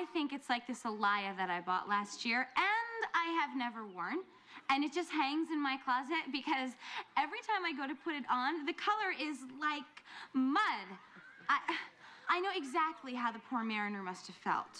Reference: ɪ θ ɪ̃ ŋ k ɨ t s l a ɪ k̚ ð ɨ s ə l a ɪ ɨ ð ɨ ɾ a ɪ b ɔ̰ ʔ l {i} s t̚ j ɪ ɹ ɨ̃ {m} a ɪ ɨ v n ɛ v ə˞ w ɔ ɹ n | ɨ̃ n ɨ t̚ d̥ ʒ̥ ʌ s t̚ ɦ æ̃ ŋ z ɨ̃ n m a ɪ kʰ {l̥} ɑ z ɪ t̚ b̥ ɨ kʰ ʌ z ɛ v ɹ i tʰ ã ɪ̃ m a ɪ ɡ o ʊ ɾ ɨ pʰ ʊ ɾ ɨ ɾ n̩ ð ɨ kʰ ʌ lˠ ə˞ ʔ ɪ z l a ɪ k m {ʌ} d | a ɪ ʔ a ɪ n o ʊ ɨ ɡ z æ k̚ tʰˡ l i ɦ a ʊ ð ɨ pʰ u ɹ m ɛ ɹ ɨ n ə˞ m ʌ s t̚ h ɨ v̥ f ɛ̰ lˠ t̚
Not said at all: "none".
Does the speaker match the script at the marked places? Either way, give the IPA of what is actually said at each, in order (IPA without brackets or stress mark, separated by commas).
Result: æ, n, l̥, ʌ